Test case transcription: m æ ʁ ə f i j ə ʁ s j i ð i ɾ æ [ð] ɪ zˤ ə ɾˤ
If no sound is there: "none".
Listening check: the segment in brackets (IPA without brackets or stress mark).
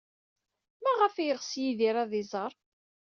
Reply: ð